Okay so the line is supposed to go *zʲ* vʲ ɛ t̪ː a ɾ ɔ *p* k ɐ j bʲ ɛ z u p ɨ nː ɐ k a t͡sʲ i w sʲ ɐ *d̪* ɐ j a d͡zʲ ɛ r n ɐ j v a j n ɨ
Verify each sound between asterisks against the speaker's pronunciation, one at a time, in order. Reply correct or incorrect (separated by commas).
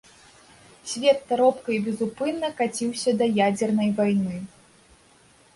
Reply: incorrect, correct, correct